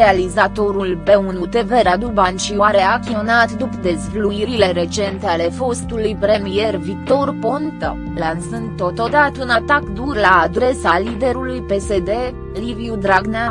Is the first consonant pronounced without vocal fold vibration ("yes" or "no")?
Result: no